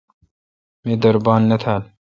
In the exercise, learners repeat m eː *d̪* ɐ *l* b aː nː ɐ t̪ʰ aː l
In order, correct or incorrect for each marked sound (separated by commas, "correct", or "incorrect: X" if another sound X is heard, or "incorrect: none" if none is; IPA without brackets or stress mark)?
correct, incorrect: ɾ